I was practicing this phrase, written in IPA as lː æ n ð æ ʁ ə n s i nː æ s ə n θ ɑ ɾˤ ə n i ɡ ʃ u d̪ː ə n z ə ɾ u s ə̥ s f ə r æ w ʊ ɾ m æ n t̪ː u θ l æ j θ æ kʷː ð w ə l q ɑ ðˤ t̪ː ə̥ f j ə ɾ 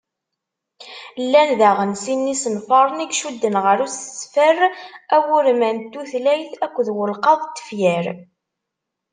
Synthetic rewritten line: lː æ n ð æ ʁ ə n s i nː i s ə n f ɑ ɾˤ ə n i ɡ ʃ u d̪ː ə n ʁ ə ɾ u s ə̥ s f ə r æ w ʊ ɾ m æ n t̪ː u θ l æ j θ æ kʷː ð w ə l q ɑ ðˤ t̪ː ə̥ f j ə ɾ